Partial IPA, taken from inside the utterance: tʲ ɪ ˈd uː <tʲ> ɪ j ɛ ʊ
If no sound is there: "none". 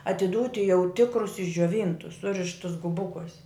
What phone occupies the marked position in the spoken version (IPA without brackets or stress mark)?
tʲ